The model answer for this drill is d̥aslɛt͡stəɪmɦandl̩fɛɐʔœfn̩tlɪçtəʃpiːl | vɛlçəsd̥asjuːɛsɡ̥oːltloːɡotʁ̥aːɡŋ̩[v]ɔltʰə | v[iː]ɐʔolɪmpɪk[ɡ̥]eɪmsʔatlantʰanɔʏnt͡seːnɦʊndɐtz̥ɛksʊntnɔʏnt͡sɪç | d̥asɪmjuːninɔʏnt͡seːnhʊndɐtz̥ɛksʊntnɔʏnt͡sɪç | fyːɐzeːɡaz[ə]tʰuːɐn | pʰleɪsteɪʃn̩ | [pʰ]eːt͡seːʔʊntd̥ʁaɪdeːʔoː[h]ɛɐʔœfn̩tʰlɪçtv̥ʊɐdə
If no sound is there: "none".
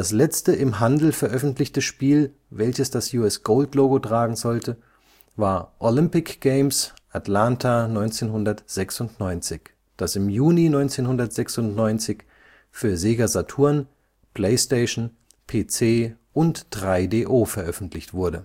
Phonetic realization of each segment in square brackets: z, aː, ɡ̥, a, pʰ, f

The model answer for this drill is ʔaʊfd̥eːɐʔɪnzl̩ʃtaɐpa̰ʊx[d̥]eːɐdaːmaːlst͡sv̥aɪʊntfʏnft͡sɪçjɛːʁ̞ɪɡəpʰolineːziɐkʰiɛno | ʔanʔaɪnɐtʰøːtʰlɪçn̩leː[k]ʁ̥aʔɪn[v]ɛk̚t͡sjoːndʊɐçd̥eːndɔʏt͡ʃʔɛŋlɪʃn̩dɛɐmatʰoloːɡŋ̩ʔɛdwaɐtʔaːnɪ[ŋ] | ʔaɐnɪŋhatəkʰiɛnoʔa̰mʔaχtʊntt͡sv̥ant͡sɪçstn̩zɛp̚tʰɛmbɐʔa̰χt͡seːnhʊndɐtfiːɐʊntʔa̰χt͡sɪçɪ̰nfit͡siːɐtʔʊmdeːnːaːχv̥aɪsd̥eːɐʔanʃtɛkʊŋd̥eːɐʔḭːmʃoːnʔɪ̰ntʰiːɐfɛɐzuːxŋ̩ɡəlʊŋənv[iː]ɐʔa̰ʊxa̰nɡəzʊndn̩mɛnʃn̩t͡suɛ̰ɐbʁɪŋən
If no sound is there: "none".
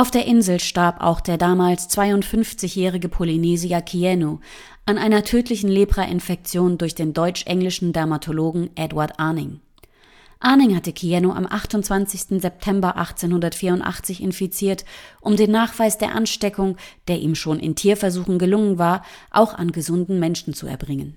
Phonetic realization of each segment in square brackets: d̥, p, f, ŋ, aː

